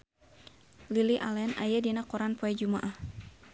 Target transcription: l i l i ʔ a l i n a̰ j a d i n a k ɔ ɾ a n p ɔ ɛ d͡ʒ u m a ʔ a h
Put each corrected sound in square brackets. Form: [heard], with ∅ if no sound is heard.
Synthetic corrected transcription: l i l i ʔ a l [ɛ] n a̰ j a d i n a k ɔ ɾ a n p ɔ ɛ d͡ʒ u m a ʔ a h